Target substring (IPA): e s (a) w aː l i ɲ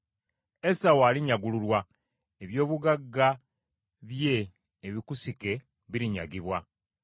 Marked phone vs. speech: correct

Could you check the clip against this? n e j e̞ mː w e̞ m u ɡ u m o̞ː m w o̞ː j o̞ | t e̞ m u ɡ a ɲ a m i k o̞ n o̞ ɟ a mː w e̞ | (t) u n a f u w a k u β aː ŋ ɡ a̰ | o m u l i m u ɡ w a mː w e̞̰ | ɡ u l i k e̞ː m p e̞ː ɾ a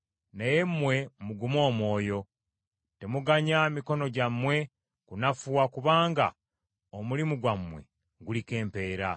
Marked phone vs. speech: incorrect: k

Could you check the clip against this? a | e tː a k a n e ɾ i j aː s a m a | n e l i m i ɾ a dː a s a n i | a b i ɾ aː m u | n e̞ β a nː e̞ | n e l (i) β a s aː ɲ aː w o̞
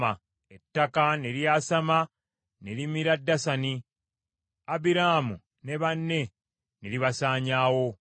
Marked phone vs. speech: correct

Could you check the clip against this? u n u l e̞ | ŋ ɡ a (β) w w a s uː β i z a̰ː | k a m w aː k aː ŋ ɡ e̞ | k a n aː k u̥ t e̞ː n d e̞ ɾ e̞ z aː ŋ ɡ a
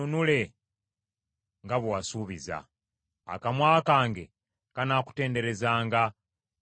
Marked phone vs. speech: correct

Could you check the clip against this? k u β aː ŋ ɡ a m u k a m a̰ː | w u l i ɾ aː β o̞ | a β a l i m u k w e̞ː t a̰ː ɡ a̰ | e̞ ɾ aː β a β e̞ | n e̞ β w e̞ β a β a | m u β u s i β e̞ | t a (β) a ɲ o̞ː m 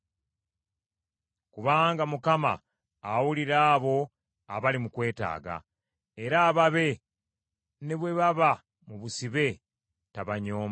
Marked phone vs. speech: correct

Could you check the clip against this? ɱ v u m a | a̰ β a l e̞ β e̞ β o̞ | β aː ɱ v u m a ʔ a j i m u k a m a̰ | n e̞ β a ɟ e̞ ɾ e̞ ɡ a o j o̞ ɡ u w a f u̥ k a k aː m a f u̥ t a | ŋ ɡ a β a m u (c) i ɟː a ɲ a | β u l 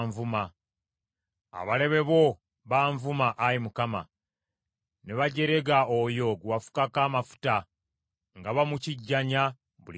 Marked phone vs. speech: correct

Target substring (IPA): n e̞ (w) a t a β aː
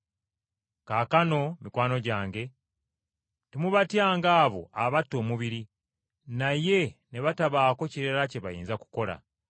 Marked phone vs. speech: incorrect: β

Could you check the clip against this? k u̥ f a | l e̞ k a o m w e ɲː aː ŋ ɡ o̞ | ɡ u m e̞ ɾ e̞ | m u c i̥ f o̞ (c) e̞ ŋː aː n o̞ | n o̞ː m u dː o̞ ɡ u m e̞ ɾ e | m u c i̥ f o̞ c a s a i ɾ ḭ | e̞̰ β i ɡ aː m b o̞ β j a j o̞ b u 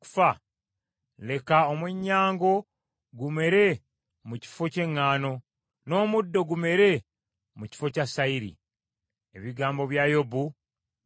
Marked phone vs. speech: correct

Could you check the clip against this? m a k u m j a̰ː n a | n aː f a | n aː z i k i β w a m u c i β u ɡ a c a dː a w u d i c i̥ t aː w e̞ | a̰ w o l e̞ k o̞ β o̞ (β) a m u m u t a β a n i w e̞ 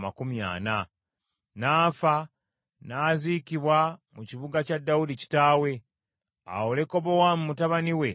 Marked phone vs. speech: incorrect: w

